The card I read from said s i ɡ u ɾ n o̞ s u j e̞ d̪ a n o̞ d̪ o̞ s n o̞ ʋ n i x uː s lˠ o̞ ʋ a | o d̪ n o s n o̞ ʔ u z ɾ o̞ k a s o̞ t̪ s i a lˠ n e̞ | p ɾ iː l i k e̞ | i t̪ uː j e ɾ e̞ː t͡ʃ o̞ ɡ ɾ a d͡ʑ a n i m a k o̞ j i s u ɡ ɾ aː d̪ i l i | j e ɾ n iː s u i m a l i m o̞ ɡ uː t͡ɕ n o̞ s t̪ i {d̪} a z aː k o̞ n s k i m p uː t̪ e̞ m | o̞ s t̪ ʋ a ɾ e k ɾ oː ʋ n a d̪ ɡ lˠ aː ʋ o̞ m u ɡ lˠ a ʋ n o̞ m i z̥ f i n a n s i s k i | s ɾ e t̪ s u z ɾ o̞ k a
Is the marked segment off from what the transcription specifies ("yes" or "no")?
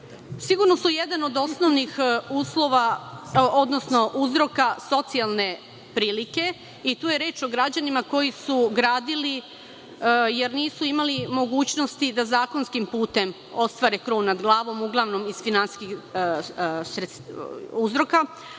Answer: no